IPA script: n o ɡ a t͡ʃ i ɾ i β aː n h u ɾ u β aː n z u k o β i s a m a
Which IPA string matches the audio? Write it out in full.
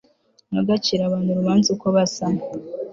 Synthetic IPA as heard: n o ɡ a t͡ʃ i ɾ a β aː n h u ɾ u β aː n z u k o β a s a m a